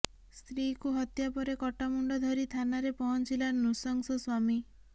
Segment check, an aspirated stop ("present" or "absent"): present